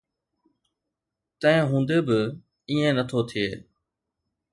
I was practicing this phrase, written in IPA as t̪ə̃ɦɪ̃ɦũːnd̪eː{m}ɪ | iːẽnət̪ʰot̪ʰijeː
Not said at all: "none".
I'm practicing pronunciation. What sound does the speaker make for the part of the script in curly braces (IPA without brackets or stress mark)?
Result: b